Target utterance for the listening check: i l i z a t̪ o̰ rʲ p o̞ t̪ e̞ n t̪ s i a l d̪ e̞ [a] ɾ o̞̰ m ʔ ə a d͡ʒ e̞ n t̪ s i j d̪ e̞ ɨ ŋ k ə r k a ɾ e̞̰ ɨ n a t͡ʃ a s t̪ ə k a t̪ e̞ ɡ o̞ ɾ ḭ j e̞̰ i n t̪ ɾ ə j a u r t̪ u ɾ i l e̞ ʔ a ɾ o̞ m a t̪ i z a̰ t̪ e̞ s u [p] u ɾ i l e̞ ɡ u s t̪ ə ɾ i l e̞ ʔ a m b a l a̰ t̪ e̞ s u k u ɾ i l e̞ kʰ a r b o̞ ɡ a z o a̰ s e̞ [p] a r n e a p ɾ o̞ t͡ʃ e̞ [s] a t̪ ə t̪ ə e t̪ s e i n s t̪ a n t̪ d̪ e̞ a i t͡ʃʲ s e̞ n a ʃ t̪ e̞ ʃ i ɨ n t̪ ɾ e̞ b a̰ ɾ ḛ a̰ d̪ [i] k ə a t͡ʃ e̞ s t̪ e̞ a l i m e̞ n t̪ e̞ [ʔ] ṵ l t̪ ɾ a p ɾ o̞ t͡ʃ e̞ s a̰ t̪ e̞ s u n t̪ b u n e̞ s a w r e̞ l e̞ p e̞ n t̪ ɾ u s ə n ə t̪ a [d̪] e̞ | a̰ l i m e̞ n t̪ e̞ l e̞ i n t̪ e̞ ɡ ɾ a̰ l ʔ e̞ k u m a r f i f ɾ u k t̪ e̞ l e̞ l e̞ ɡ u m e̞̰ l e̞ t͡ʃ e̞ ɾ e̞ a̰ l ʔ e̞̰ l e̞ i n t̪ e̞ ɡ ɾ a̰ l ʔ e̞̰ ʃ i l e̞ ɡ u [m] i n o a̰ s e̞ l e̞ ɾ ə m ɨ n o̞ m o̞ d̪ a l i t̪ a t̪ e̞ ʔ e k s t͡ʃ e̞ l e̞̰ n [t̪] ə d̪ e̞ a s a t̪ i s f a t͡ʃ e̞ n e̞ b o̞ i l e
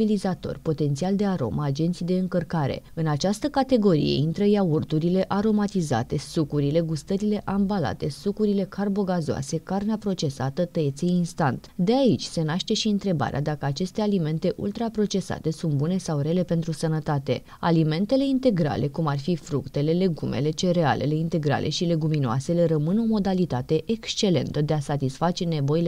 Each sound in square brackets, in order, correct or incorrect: correct, incorrect, incorrect, correct, incorrect, correct, incorrect, correct, correct

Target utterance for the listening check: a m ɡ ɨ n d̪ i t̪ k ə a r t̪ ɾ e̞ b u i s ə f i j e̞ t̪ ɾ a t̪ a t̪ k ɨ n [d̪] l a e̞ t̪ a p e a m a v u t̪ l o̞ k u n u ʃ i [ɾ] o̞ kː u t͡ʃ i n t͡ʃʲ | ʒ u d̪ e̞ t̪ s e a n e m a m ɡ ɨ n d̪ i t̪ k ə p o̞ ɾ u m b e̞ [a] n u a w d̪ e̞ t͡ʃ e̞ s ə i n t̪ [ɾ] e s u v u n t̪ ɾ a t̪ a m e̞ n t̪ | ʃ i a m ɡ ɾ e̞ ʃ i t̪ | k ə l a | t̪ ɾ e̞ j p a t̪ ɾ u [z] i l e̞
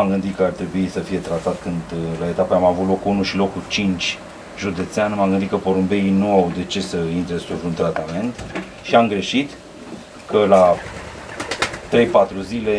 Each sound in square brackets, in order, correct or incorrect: correct, incorrect, incorrect, correct, correct

